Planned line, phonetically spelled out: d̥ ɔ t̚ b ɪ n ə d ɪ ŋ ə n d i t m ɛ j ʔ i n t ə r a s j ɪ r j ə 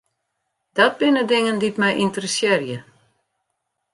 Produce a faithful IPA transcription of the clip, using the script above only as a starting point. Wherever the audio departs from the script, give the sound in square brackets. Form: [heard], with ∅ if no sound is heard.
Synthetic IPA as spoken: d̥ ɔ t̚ b ɪ n ə d ɪ ŋ ə n d i t m ɛ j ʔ i n t ə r [ə] s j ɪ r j ə